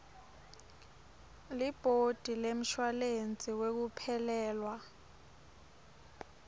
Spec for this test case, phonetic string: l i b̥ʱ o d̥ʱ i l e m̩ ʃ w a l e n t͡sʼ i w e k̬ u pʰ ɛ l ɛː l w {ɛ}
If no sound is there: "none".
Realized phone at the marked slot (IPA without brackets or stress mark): a